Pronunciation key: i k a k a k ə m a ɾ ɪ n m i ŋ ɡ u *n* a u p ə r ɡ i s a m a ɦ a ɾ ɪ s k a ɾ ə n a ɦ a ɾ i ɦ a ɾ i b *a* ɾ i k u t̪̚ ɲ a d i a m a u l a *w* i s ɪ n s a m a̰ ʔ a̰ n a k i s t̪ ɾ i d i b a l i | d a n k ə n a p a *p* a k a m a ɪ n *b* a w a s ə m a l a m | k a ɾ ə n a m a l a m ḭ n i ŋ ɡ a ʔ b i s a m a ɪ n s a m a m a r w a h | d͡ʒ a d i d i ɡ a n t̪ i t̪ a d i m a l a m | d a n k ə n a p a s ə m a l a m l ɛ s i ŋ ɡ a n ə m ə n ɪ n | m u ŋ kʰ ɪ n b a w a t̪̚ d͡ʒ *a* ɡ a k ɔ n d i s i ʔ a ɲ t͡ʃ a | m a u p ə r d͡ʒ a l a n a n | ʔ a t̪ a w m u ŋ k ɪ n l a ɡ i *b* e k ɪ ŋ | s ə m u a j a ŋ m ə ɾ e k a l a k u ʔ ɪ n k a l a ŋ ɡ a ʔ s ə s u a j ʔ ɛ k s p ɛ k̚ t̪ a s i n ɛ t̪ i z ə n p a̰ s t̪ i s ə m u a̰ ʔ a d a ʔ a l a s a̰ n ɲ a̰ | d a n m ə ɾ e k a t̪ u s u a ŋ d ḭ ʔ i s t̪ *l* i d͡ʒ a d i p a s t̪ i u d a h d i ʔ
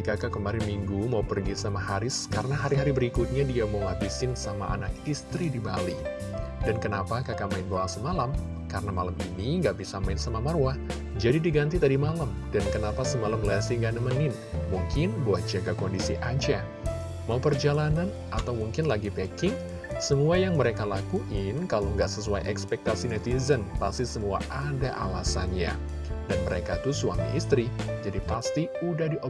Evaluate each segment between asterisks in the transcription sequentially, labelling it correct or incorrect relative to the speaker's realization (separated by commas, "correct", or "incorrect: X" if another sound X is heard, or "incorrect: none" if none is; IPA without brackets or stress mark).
incorrect: m, incorrect: ə, incorrect: b, incorrect: k, correct, correct, incorrect: p, incorrect: ɾ